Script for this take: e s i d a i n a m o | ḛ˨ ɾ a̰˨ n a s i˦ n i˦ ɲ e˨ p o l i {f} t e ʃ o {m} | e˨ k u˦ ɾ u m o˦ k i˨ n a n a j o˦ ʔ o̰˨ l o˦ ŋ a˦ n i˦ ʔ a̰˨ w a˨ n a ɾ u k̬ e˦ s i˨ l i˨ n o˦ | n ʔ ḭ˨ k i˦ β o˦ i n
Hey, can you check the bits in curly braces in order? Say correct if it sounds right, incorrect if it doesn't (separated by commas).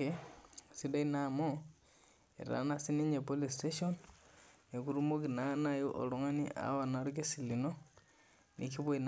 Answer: incorrect, incorrect